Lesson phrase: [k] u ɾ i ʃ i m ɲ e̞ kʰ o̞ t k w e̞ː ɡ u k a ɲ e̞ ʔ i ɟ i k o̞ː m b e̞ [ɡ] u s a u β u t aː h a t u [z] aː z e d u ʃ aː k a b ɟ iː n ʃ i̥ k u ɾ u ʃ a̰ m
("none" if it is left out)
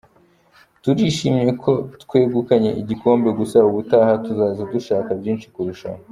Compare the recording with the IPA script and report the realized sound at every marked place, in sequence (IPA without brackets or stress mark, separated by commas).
t, ɡ, z